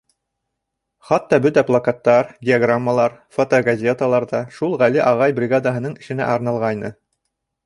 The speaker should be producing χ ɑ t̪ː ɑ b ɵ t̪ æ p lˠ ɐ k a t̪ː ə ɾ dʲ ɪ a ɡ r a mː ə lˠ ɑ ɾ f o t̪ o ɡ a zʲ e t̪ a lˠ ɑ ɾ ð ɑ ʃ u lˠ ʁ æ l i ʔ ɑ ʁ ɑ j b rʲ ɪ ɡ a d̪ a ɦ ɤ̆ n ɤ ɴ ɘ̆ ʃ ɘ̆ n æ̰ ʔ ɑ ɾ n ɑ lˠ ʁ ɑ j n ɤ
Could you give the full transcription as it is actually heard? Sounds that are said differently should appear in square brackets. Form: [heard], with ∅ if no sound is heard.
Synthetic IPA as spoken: χ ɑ t̪ː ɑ b ɵ t̪ æ p lˠ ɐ k a t̪ː [ɑ] ɾ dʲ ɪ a ɡ r a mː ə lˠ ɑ ɾ f o t̪ o ɡ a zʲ e t̪ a lˠ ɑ ɾ ð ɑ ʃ u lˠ ʁ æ l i ʔ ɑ ʁ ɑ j b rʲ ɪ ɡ a d̪ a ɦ ɤ̆ n ɤ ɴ ɘ̆ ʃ ɘ̆ n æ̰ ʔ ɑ ɾ n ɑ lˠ ʁ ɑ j n ɤ